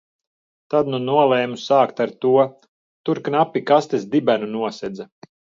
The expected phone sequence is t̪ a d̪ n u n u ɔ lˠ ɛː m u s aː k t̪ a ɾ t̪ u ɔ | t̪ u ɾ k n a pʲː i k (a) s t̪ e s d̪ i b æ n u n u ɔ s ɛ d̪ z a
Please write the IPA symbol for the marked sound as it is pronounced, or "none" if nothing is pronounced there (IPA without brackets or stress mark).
a